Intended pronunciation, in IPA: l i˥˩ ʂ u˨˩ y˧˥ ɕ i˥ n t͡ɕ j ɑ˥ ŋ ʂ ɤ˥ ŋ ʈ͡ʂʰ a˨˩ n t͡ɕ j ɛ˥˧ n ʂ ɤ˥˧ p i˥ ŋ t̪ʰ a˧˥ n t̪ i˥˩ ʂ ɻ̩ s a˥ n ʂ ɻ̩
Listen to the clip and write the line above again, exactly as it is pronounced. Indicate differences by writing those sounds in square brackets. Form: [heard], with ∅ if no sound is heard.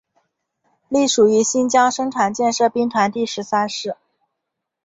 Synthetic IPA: l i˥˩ ʂ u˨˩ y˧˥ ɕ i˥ n t͡ɕ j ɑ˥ ŋ ʂ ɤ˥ ŋ ʈ͡ʂʰ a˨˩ n t͡ɕ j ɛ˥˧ n ʂ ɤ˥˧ p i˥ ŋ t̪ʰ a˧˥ n t̪ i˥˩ ʂ ɻ̩ s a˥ n ʂ ɻ̩